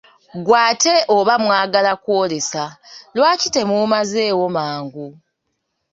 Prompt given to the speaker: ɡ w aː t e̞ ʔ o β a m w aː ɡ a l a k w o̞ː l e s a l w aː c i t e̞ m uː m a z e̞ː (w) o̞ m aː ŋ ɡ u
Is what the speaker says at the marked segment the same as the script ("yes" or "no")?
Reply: yes